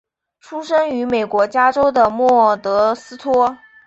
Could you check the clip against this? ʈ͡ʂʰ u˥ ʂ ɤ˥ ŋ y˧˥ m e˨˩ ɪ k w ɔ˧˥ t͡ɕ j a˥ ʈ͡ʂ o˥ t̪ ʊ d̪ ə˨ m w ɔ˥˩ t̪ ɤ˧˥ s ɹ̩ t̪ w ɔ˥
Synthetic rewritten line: ʈ͡ʂʰ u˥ ʂ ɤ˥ ŋ y˧˥ m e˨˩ ɪ k w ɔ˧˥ t͡ɕ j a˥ ʈ͡ʂ o˥ ʊ d̪ ə˨ m w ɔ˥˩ t̪ ɤ˧˥ s ɹ̩ t̪ʰ w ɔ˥

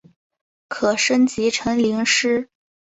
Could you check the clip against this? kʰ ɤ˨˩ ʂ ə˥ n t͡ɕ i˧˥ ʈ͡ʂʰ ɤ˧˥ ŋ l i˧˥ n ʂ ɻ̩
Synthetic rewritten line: kʰ ɤ˨˩ ʂ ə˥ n t͡ɕ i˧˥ ʈ͡ʂʰ ɤ˧˥ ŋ l i˧˥ ŋ ʂ ɻ̩

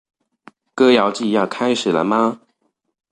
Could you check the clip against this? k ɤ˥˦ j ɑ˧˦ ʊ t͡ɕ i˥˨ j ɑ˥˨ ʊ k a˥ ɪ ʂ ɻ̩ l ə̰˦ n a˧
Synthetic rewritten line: k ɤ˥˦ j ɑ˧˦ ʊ t͡ɕ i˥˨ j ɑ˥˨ ʊ kʰ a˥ ɪ ʂ ɻ̩ l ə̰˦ m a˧

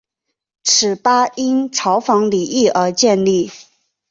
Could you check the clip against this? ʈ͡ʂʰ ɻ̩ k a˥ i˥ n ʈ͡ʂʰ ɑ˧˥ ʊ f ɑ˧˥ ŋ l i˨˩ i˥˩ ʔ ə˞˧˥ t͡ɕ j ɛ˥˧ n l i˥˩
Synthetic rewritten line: ʈ͡ʂʰ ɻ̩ p a˥ i˥ n ʈ͡ʂʰ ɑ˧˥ ʊ f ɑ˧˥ ŋ l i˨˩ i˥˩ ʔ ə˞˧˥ t͡ɕ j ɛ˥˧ n l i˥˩

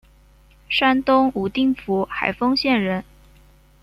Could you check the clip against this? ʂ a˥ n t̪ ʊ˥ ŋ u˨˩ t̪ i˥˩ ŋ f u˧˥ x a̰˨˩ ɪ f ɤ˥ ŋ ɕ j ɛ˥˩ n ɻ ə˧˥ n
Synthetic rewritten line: ʂ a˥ n t̪ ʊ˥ ŋ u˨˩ t̪ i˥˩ ŋ f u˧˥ x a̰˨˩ ɪ f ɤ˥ ŋ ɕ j ɛ˥˩ n ɻ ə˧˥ n

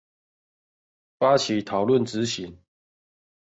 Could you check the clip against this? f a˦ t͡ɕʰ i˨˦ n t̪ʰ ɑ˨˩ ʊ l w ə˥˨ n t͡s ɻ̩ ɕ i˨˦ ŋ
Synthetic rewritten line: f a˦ t͡ɕʰ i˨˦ t̪ʰ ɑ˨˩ ʊ l w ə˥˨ n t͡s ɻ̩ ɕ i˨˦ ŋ

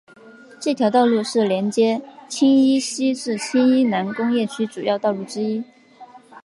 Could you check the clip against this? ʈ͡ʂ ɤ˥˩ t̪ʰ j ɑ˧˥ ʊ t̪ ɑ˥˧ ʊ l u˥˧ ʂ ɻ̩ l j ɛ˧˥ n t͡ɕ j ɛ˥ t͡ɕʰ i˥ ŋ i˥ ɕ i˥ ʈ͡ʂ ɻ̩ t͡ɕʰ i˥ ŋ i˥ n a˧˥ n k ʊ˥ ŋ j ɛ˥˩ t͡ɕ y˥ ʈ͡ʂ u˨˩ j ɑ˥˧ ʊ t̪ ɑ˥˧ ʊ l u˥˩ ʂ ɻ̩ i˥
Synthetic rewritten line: ʈ͡ʂ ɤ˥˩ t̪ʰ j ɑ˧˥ ʊ t̪ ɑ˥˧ ʊ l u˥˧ ʂ ɻ̩ l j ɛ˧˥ n t͡ɕ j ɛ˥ t͡ɕʰ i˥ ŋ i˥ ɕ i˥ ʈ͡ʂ ɻ̩ t͡ɕʰ i˥ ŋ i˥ n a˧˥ n k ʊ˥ ŋ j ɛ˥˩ t͡ɕʰ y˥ ʈ͡ʂ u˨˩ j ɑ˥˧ ʊ t̪ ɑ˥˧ ʊ l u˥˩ ʈ͡ʂ ɻ̩ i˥

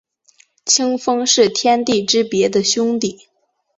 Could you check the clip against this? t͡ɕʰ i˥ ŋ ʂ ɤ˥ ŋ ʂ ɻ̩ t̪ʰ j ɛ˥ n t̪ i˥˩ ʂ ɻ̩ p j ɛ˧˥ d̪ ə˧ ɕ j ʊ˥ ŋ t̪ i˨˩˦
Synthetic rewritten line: t͡ɕʰ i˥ ŋ f ɤ˥ ŋ ʂ ɻ̩ t̪ʰ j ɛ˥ n t̪ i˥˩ ʈ͡ʂ ɻ̩ p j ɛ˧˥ d̪ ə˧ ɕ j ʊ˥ ŋ t̪ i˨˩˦

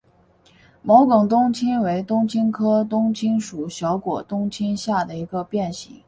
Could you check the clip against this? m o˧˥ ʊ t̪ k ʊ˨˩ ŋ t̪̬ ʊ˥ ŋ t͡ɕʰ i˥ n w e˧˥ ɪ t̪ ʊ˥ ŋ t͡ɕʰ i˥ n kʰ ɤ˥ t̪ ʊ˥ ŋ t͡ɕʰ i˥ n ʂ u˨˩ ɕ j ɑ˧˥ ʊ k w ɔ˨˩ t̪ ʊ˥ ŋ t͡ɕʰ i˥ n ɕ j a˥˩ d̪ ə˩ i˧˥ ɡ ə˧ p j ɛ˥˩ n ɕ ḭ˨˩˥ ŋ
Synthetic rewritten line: m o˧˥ ʊ k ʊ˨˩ ŋ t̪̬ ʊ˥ ŋ t͡ɕʰ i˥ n w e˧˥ ɪ t̪ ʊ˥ ŋ t͡ɕʰ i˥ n kʰ ɤ˥ t̪ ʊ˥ ŋ t͡ɕʰ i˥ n ʂ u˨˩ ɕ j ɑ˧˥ ʊ k w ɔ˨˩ t̪ ʊ˥ ŋ t͡ɕʰ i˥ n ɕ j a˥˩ d̪ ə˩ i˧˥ ɡ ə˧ p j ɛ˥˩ n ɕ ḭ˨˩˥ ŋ

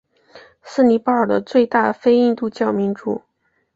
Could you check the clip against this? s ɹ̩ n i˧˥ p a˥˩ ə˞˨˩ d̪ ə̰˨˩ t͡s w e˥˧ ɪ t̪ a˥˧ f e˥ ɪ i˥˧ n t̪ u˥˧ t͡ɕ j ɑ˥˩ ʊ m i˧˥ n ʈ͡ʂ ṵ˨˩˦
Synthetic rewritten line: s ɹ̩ n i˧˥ p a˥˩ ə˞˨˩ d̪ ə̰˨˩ t͡s w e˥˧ ɪ t̪ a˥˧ f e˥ ɪ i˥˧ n t̪ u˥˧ t͡ɕ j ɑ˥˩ ʊ m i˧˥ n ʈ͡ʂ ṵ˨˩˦

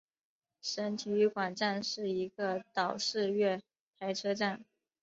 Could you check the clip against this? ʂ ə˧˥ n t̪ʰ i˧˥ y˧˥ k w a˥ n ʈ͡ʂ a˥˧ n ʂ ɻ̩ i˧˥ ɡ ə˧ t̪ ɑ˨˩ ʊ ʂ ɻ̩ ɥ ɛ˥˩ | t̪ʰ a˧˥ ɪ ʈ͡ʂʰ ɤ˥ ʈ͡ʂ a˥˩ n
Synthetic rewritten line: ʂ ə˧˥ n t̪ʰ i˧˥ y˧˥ k w a˨˩ n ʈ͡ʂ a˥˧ n ʂ ɻ̩ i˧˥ ɡ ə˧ t̪ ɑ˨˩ ʊ ʂ ɻ̩ ɥ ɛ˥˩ | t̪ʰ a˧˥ ɪ ʈ͡ʂʰ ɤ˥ ʈ͡ʂ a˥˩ n

